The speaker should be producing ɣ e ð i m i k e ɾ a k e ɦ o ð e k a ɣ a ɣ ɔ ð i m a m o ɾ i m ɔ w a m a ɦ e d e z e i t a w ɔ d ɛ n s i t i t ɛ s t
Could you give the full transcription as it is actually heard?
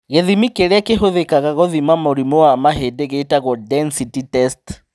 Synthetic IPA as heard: ɣ e ð i m i k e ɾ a k e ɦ o ð e k a ɣ a ɣ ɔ ð i m a m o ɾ i m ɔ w a m a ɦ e d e ɣ e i t a ɣ ɔ d ɛ n s i t i t ɛ s t